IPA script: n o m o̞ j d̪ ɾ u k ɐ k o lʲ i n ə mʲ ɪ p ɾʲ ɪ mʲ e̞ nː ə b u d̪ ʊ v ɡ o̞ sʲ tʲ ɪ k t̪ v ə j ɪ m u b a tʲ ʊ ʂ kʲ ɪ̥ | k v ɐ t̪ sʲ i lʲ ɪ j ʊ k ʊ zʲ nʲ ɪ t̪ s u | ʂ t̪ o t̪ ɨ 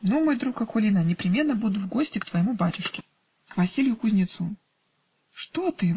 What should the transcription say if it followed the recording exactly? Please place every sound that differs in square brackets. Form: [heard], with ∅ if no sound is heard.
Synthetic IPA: n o m o̞ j d̪ ɾ u k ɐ k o lʲ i n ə [nʲ] ɪ p ɾʲ ɪ mʲ e̞ nː ə b u d̪ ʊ v ɡ o̞ sʲ tʲ ɪ k t̪ v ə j ɪ m u b a tʲ ʊ ʂ kʲ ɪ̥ | k v ɐ [∅] sʲ i lʲ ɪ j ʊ k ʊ zʲ nʲ ɪ t̪ s u | ʂ t̪ o t̪ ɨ